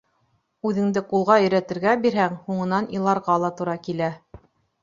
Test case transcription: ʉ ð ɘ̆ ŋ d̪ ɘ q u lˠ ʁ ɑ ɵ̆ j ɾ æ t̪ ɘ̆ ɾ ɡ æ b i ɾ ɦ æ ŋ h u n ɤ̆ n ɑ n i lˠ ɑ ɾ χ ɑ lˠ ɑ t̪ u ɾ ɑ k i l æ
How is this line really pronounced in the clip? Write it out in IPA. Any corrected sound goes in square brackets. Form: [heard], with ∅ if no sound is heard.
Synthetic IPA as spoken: ʉ ð ɘ̆ ŋ d̪ ɘ q u lˠ ʁ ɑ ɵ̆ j ɾ æ t̪ ɘ̆ ɾ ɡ æ b i ɾ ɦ æ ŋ h u [ɴ] ɤ̆ n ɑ n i lˠ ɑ ɾ [ʁ] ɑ lˠ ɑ t̪ u ɾ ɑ k i l æ